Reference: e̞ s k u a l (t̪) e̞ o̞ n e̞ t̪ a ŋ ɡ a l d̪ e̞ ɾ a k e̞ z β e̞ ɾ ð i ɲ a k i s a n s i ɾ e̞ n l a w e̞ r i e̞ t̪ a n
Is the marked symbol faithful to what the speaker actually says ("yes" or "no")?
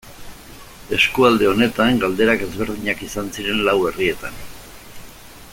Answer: no